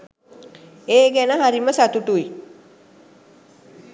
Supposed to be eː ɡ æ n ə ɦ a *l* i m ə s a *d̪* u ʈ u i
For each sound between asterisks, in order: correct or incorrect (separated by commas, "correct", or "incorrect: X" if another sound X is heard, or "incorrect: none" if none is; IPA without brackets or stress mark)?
incorrect: ɾ, incorrect: t̪